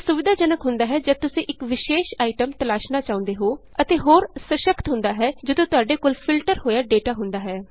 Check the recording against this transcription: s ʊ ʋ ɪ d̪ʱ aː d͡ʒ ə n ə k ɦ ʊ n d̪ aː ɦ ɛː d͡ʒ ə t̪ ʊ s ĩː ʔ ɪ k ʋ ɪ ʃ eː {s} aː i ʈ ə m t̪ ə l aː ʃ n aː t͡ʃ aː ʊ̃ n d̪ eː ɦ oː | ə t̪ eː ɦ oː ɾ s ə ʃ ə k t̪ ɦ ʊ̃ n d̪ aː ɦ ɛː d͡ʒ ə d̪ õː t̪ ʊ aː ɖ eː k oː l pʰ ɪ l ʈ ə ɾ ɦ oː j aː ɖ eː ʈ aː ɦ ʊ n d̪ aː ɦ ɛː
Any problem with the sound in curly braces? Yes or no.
yes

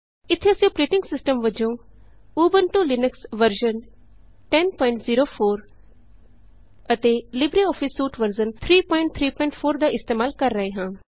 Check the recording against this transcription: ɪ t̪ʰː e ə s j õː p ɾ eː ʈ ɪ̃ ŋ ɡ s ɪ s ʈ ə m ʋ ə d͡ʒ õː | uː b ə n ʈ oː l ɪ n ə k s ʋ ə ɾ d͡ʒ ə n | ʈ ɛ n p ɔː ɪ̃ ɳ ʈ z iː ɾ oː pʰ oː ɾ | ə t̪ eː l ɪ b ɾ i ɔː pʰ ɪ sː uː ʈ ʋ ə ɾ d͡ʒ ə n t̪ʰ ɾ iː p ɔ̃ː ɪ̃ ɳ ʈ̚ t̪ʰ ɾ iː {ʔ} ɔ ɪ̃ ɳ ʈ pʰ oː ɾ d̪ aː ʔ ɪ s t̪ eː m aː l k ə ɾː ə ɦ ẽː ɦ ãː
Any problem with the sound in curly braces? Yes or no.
yes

